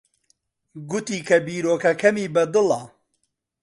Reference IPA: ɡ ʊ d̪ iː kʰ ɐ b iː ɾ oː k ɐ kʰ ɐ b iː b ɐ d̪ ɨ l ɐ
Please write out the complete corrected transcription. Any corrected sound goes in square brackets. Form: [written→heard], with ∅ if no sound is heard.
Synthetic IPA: ɡ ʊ [d̪→t̪] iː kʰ ɐ b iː ɾ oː k ɐ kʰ ɐ [b→m] iː b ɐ d̪ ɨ l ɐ